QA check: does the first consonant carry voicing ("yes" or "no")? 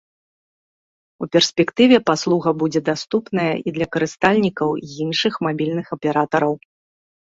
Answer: no